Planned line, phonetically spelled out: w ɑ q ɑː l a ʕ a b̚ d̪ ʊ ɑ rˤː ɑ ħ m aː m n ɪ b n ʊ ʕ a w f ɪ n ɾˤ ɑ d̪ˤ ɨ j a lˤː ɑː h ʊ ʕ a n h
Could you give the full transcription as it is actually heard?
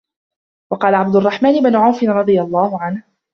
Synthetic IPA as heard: w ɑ q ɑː l a ʕ a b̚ d̪ ʊ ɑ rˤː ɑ ħ m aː n ɪ b n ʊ ʕ a w f ɪ n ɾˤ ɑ d̪ˤ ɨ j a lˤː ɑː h ʊ ʕ a n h